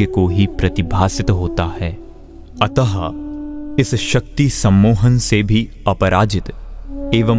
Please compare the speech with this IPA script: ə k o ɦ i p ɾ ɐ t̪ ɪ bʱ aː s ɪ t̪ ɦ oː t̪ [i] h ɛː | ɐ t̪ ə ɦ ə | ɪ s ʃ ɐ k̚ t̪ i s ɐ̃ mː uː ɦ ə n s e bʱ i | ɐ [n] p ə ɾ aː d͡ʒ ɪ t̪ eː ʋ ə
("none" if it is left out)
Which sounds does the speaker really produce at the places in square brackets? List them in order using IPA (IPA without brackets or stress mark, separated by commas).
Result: a, none